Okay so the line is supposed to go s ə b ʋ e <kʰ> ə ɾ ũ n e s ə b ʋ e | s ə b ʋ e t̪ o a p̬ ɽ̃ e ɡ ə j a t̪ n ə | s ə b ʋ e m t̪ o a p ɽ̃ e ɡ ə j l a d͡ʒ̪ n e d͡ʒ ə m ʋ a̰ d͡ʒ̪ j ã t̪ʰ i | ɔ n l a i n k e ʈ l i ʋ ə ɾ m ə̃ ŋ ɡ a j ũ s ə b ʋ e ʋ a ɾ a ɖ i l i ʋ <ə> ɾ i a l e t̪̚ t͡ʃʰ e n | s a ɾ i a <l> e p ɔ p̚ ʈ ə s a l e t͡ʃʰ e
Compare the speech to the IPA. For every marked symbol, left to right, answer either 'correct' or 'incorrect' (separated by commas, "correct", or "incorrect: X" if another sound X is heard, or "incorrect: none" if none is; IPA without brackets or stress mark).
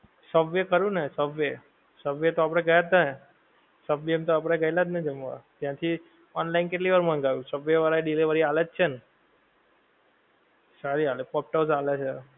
incorrect: k, correct, correct